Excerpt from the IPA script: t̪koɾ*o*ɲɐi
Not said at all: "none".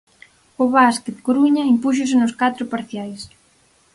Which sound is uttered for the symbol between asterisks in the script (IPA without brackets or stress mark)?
u